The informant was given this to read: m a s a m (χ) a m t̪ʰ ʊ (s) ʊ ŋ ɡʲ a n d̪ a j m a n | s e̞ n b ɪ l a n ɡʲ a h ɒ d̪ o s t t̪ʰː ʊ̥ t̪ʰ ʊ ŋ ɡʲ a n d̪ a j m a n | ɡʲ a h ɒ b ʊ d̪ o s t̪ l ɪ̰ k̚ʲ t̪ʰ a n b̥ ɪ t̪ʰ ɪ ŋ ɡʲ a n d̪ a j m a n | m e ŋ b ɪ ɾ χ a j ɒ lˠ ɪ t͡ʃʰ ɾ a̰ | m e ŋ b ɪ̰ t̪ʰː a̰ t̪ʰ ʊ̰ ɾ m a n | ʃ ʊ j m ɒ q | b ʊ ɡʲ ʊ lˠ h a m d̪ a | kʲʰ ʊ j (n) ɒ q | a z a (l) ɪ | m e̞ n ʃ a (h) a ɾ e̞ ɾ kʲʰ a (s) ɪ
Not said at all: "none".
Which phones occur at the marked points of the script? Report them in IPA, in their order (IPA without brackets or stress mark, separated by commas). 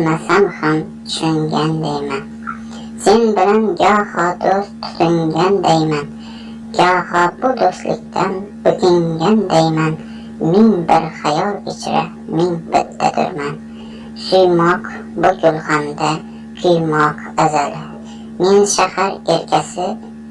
h, ʃ, m, l, h, s